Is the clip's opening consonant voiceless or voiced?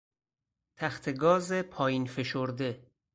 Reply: voiceless